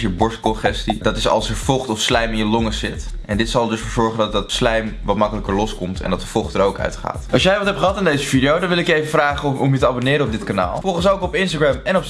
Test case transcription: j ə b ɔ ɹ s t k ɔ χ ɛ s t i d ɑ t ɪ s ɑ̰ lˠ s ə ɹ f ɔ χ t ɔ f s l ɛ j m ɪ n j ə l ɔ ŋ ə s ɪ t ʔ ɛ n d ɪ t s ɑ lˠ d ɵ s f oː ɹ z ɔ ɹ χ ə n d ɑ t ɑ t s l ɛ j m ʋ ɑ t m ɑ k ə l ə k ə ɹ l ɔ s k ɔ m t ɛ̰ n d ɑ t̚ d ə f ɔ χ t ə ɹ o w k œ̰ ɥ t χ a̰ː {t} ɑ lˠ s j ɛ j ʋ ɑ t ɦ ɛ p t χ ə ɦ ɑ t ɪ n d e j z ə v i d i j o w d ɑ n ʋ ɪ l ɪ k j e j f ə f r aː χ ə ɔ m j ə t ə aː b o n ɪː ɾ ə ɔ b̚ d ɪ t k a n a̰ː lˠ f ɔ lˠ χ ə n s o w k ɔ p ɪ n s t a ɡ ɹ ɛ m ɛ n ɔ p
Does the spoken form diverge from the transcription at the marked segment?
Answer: no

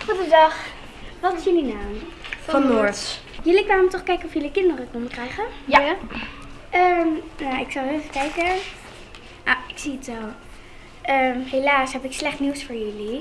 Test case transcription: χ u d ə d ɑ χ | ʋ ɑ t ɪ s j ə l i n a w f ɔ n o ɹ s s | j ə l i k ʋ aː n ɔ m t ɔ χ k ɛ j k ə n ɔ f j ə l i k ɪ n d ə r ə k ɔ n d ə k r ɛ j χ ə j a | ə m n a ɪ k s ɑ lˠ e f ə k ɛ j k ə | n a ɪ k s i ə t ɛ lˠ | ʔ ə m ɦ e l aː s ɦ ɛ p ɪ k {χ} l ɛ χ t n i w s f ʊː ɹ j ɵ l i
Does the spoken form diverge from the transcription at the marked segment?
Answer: yes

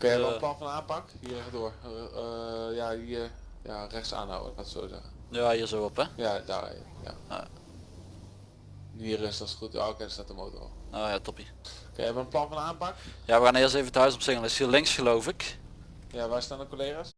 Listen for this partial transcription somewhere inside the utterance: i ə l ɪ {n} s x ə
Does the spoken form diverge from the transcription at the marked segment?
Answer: yes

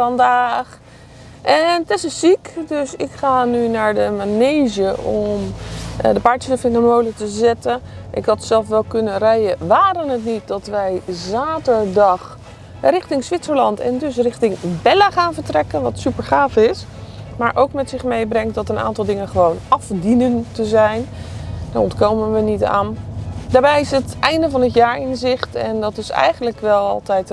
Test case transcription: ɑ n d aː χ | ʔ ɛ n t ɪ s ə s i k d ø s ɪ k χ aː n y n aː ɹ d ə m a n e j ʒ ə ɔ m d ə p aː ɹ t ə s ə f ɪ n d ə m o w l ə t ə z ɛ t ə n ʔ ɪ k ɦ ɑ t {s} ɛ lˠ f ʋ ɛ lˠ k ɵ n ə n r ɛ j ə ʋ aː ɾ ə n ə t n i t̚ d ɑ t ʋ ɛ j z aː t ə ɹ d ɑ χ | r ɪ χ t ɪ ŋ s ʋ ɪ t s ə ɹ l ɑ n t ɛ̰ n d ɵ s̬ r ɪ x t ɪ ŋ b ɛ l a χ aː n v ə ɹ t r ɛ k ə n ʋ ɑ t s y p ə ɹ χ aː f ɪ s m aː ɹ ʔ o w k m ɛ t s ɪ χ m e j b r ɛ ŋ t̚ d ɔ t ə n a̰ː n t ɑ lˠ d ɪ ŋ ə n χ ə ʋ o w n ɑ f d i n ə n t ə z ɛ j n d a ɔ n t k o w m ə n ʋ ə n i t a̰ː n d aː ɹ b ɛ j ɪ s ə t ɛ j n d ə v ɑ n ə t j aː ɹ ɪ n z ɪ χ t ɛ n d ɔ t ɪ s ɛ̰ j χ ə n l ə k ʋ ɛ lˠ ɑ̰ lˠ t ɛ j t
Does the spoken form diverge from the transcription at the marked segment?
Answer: no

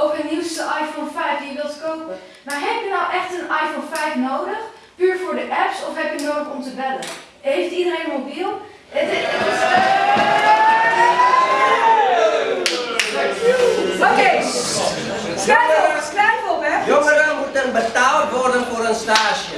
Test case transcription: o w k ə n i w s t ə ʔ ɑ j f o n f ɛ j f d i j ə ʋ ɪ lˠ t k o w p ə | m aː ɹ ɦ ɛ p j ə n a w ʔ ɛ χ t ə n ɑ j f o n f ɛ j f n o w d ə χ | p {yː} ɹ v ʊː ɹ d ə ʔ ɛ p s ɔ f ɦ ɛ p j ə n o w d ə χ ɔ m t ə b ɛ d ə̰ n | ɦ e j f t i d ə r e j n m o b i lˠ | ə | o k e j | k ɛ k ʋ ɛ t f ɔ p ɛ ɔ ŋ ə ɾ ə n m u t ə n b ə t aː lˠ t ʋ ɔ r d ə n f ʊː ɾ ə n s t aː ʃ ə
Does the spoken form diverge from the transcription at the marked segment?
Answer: no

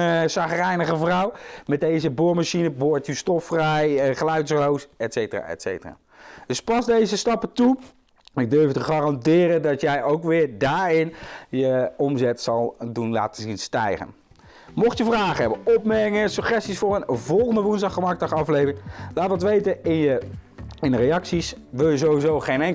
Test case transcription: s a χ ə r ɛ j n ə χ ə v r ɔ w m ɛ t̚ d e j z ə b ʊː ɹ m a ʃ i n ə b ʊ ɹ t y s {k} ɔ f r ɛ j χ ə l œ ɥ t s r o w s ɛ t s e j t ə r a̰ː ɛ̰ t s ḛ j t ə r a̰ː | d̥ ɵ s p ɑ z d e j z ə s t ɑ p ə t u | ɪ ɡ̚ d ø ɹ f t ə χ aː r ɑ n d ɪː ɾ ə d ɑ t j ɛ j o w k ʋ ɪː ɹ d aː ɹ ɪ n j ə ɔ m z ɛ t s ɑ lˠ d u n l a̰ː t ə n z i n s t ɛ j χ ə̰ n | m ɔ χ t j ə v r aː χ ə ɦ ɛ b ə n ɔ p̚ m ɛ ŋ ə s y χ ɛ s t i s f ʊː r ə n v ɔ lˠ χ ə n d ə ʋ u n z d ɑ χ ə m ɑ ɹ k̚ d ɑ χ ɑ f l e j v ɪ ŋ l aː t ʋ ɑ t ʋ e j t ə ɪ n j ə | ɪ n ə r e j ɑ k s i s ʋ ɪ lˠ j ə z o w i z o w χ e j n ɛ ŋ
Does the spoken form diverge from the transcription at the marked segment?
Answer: yes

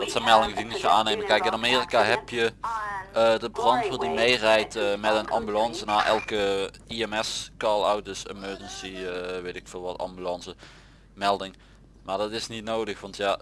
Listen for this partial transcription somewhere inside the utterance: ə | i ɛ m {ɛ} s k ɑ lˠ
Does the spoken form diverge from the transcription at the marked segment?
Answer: no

